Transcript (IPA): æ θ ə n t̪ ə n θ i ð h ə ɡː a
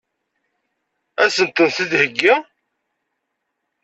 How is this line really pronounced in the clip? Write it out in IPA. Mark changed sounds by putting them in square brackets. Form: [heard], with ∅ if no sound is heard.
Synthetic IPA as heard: æ [s] ə n t̪ ə n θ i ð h ə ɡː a